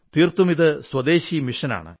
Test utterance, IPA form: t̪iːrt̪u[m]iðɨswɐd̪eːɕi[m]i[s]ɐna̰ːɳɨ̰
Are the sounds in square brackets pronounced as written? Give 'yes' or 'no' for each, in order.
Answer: yes, yes, no

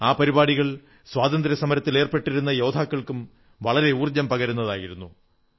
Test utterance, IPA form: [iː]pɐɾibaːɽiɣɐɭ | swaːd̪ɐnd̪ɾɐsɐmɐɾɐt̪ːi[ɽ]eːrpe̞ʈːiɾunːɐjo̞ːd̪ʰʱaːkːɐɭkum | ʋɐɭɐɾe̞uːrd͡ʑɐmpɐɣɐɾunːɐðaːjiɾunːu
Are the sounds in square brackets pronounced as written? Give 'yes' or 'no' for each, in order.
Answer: no, no

